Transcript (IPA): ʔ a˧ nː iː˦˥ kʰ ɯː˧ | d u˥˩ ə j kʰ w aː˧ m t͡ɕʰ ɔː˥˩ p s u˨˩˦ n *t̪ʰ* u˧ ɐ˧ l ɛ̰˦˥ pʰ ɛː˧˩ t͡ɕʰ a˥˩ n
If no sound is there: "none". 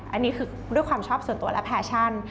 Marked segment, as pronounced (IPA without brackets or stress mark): t̪